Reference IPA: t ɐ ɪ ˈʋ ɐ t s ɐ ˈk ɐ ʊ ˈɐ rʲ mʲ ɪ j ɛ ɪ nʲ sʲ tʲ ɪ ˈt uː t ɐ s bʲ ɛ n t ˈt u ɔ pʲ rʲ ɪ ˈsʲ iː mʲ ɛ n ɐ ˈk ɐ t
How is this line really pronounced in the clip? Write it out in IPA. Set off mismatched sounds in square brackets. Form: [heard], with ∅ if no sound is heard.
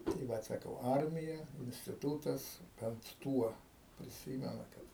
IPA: t ɐ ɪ ˈʋ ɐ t s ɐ ˈk ɐ ʊ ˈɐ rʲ mʲ ɪ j ɛ ɪ nʲ sʲ tʲ ɪ ˈt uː t ɐ s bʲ ɛ n t ˈt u ɔ pʲ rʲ ɪ ˈsʲ iː mʲ ɛ n ɐ ˈk ɐ t

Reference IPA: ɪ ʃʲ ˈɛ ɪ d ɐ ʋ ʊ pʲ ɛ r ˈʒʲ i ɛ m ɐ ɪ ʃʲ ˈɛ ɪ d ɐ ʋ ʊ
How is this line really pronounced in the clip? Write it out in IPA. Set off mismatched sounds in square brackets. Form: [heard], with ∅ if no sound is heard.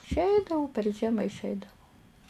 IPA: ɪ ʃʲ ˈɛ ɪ d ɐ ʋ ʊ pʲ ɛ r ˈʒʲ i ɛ m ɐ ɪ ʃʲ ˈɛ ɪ d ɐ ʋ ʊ

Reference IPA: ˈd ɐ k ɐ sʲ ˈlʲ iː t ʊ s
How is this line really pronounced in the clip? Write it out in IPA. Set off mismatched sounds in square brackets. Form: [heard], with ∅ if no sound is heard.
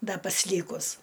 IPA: ˈd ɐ [p] ɐ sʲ ˈlʲ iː [k] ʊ s

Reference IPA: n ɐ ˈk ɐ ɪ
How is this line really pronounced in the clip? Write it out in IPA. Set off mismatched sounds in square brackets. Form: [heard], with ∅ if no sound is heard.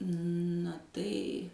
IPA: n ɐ [ˈt] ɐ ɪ

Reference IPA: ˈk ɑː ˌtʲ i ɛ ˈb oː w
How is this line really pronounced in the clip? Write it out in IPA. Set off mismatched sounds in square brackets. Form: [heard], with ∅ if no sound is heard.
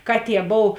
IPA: ˈk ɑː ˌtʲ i ɛ ˈb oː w

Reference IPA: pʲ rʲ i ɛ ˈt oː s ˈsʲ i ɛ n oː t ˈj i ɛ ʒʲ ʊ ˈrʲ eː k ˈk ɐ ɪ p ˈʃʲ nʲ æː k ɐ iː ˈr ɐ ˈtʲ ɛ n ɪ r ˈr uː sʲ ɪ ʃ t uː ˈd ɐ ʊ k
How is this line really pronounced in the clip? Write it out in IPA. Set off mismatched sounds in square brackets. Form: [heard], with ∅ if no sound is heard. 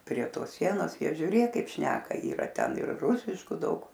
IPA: pʲ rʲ i ɛ ˈt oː s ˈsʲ i ɛ n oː [s] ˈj i ɛ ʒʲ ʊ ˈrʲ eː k ˈk ɐ ɪ p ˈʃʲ nʲ æː k ɐ iː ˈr ɐ ˈtʲ ɛ n ɪ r ˈr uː sʲ ɪ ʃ [k] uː ˈd ɐ ʊ k

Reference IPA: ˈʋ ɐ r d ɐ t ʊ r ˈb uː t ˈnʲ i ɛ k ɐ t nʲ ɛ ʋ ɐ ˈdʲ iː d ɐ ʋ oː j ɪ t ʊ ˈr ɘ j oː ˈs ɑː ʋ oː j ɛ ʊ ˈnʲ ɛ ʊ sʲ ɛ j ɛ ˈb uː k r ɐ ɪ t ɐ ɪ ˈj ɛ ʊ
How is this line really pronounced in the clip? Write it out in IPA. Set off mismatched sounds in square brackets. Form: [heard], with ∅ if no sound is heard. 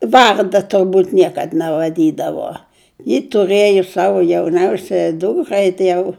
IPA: ˈʋ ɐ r d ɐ t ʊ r ˈb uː t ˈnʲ i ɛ k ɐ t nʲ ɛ ʋ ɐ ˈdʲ iː d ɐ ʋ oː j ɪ t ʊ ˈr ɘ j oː ˈs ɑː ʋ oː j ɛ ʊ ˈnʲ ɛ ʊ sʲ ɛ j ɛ [ˈd] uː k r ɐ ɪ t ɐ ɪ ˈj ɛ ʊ

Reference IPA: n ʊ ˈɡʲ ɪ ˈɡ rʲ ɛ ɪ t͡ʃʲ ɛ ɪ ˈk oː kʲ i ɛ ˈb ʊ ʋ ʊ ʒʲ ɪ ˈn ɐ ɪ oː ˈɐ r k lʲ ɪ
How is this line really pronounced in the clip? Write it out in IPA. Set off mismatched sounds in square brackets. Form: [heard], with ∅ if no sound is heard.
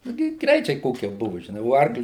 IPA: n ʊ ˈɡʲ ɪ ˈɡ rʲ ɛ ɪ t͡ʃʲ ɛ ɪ ˈk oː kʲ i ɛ ˈb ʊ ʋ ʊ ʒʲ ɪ ˈn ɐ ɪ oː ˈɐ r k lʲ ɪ

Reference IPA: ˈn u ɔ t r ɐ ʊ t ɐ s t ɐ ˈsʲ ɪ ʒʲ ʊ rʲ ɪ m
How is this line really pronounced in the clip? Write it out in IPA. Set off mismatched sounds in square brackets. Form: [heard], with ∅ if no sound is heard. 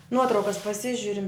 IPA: ˈn u ɔ t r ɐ ʊ [k] ɐ s [p] ɐ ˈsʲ ɪ ʒʲ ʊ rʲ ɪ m

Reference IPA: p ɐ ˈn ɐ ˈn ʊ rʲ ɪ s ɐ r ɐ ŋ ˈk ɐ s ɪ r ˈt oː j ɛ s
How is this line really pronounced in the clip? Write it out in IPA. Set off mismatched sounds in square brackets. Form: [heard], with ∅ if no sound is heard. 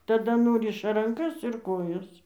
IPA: [t] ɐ [ˈd] ɐ ˈn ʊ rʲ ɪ [ʃ] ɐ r ɐ ŋ ˈk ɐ s ɪ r [ˈk] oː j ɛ s

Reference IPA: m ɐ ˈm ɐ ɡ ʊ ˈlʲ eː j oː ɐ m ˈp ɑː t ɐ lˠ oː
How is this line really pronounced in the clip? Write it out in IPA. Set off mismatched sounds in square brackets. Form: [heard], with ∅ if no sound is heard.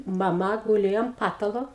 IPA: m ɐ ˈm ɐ ɡ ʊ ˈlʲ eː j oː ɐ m ˈp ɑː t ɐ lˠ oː

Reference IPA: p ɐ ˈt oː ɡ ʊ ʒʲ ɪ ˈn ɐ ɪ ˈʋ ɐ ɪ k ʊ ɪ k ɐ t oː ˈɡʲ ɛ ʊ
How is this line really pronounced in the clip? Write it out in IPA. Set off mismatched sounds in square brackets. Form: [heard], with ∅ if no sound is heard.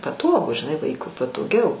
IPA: p ɐ ˈt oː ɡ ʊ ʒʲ ɪ ˈn ɐ ɪ ˈʋ ɐ ɪ k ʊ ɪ [p] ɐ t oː ˈɡʲ ɛ ʊ

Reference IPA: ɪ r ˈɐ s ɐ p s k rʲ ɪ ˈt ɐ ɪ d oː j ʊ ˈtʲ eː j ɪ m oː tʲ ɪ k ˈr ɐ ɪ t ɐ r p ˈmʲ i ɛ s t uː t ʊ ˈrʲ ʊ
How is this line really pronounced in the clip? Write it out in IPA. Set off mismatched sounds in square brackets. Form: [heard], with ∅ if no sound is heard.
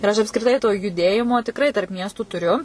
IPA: ɪ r ˈɐ [ʃ] ɐ p s k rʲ ɪ ˈt ɐ ɪ [t] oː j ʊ [ˈdʲ] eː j ɪ m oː tʲ ɪ k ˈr ɐ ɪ t ɐ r p ˈmʲ i ɛ s t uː t ʊ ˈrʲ ʊ

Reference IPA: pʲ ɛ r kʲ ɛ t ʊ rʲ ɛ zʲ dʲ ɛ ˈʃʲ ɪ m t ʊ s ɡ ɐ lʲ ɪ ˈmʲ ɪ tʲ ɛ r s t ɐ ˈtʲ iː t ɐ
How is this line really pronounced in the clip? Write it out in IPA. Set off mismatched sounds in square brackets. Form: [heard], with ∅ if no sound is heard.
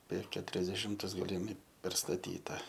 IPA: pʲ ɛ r kʲ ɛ t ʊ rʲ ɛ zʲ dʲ ɛ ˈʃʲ ɪ m t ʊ s ɡ ɐ lʲ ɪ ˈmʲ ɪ [pʲ] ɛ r s t ɐ ˈtʲ iː t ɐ

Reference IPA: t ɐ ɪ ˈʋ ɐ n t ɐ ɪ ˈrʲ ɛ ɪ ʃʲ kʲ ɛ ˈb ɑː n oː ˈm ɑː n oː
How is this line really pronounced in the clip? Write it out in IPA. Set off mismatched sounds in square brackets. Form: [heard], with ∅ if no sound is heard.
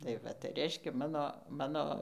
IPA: t ɐ ɪ ˈʋ ɐ [∅] t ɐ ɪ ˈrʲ ɛ ɪ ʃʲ kʲ ɛ [ˈm] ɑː n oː ˈm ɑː n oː

